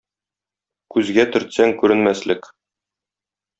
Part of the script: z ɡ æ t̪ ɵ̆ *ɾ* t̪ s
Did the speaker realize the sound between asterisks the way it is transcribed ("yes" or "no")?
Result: yes